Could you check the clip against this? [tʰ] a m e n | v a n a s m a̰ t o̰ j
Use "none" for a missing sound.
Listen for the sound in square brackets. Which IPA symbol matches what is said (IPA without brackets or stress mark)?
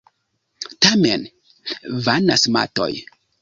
t